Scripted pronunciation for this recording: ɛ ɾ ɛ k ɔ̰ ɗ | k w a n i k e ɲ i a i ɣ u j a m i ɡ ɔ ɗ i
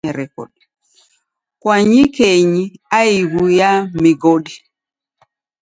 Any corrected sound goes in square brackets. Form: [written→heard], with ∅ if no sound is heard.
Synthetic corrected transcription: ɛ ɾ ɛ k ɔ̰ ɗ | k w a [n→ɲ] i k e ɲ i a i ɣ u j a m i ɡ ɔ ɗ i